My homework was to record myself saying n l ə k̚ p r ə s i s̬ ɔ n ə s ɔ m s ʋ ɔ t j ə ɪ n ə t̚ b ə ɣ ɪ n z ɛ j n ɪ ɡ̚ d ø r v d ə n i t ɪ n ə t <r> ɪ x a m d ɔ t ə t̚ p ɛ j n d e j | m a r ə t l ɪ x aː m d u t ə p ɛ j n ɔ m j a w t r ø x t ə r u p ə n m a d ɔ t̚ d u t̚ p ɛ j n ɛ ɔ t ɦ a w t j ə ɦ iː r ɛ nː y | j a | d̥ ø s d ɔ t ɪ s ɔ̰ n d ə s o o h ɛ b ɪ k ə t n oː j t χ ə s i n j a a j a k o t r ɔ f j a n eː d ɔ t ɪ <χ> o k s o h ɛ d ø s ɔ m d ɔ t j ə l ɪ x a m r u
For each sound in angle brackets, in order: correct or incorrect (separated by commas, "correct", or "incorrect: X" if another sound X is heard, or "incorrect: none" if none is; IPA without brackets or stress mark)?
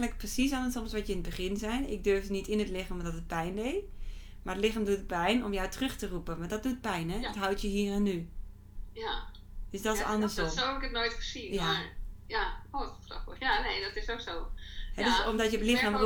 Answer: incorrect: l, incorrect: s